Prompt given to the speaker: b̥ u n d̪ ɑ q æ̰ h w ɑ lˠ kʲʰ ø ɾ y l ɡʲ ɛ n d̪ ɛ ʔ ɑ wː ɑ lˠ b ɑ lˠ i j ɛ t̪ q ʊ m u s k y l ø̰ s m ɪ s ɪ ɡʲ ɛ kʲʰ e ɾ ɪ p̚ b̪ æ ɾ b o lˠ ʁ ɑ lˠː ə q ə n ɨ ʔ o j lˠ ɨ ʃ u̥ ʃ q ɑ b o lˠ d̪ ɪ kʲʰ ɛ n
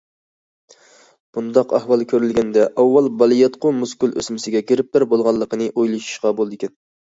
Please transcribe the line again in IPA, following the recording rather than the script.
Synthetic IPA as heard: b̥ u n d̪ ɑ q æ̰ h w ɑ lˠ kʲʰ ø ɾ y l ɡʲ ɛ n d̪ ɛ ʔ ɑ wː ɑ lˠ b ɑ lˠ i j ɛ t̪ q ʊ m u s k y l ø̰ s m ɪ s ɪ ɡʲ ɛ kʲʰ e ɾ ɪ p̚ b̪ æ ɾ b o lˠ ʁ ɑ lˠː ə q ə n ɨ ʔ o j lˠ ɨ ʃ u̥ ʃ q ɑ b o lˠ d̪ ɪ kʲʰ ɛ n

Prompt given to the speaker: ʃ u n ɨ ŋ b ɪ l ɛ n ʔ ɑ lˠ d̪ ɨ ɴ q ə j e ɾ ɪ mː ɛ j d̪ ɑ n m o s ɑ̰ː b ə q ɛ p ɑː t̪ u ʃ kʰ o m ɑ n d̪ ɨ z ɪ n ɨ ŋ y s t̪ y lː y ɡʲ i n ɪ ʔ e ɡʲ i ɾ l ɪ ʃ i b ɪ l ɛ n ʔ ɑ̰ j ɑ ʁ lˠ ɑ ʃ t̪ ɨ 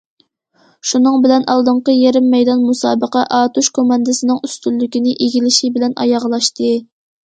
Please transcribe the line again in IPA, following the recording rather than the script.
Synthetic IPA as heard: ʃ u n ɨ ŋ b ɪ l ɛ n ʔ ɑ lˠ d̪ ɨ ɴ q ə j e ɾ ɪ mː ɛ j d̪ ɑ n m u s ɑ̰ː b ə q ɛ ʔ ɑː t̪ u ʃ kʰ o m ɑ n d̪ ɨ s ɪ n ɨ ŋ y s t̪ y lː y kʲ i n ɪ ʔ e ɡʲ i l ɪ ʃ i b ɪ l ɛ n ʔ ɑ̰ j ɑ ʁ lˠ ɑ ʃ t̪ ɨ

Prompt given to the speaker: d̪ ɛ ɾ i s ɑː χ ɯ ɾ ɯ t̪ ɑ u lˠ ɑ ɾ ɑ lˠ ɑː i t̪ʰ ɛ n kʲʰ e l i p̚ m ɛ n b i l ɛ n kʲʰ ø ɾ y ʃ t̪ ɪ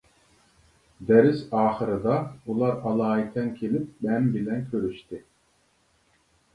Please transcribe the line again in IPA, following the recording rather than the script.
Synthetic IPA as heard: d̪ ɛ ɾ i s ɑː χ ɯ ɾ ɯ d̪ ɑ u lˠ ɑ ɾ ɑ lˠ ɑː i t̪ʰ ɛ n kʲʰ e l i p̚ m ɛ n b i l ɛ n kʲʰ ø ɾ y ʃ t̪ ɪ

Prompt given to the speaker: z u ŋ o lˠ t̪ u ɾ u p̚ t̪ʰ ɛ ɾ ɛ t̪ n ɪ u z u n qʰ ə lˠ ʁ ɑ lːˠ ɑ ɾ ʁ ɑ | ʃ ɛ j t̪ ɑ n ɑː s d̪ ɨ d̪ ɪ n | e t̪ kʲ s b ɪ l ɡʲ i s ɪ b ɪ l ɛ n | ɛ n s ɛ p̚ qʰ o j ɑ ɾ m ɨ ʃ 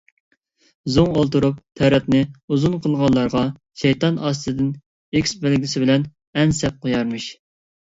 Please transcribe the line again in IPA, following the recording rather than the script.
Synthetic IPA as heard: z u ŋ o lˠ t̪ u ɾ u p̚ t̪ʰ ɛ ɾ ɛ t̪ n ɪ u z u n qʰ ə lˠ ʁ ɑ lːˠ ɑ ɾ ʁ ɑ | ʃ ɛ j t̪ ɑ n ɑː s t̪ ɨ d̪ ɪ n | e kʲ s b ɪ l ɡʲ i s ɪ b ɪ l ɛ n | ɛ n s ɛ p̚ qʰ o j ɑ ɾ m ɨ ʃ

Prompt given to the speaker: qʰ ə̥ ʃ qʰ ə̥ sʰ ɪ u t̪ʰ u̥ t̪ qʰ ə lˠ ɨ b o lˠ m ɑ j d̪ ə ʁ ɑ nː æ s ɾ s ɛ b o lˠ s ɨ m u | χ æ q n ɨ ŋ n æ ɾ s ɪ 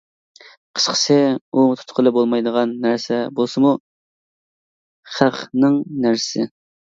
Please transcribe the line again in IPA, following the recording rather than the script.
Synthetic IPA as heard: qʰ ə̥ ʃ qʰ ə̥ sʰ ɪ u t̪ʰ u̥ t̪ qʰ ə lˠ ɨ b o lˠ m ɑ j d̪ ə ʁ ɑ nː æ ɾ s ɛ b o lˠ s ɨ m u | χ æ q n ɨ ŋ n æ ɾ s ɪ

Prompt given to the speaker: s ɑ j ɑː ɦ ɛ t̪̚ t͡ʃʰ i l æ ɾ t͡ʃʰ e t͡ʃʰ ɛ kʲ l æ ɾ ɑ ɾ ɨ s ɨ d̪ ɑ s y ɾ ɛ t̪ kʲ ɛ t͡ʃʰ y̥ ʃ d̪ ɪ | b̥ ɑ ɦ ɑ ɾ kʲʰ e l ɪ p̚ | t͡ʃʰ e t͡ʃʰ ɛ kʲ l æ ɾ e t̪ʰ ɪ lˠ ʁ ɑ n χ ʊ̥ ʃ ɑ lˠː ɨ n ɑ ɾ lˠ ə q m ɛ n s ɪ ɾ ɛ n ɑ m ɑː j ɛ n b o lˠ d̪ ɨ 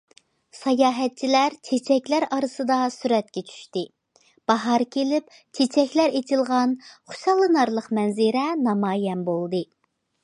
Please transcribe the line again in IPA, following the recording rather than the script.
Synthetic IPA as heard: s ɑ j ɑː ɦ ɛ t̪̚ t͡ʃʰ i l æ ɾ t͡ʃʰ e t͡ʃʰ ɛ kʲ l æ ɾ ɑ ɾ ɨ s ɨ d̪ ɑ s y ɾ ɛ t̪ kʲ ɛ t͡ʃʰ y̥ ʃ t̪ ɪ | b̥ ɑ ɦ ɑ ɾ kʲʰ e l ɪ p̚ | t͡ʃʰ e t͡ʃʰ ɛ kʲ l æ ɾ e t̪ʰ ɪ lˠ ʁ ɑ n χ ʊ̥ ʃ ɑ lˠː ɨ n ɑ ɾ lˠ ə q m ɛ n z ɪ ɾ ɛ n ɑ m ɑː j ɛ n b o lˠ d̪ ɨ

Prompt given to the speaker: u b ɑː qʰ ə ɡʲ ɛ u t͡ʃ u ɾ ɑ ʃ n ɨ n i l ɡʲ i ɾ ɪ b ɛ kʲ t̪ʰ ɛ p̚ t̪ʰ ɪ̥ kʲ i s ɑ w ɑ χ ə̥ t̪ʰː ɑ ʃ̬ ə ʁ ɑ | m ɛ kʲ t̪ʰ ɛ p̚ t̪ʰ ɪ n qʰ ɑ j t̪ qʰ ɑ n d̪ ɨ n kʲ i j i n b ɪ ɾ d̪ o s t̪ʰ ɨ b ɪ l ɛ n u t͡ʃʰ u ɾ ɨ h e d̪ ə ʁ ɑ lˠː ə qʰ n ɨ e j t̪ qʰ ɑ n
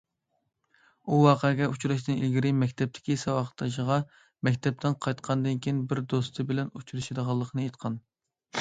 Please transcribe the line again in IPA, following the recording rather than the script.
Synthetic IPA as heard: u w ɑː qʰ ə ɡʲ ɛ u t͡ʃ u ɾ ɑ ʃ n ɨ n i l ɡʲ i ɾ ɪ m ɛ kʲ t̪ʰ ɛ p̚ t̪ʰ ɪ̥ kʲ i s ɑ w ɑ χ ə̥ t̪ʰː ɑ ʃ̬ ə ʁ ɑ | m ɛ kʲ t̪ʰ ɛ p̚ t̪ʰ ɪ n qʰ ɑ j t̪ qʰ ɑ n d̪ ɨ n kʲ i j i n b ɪ ɾ d̪ o s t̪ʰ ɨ b ɪ l ɛ n u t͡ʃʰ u ɾ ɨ ʃ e d̪ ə ʁ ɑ lˠː ə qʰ n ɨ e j t̪ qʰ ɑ n

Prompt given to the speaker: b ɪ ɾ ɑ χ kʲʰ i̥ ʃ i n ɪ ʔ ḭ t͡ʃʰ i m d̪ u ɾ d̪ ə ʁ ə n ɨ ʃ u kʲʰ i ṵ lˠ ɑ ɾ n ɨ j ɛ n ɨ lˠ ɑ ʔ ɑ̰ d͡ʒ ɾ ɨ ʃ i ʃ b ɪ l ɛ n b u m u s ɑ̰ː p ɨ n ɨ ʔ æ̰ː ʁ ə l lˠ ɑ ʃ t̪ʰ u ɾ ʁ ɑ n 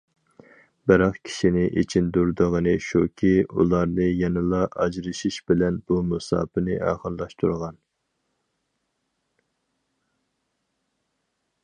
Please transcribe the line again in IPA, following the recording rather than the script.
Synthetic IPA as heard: b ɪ ɾ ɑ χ kʲʰ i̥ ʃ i n ɪ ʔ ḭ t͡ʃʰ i n d̪ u ɾ d̪ ə ʁ ə n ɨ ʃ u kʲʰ i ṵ lˠ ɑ ɾ n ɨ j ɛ n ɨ lˠ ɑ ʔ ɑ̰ d͡ʒ ɾ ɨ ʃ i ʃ b ɪ l ɛ n b u m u s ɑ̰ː p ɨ n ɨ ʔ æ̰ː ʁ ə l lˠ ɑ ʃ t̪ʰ u ɾ ʁ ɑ n

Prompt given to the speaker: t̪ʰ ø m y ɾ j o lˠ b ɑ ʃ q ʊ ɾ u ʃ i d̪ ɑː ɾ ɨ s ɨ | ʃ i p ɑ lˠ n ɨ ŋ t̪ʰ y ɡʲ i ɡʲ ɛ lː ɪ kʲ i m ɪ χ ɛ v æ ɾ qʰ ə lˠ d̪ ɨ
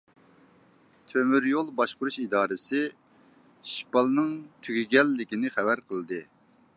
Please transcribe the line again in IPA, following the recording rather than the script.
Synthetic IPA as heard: t̪ʰ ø m y ɾ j o lˠ b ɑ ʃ q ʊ ɾ u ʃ i d̪ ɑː ɾ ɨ s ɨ | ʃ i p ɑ lˠ n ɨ ŋ t̪ʰ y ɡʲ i ɡʲ ɛ lː ɪ kʲ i n ɪ χ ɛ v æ ɾ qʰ ə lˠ d̪ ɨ

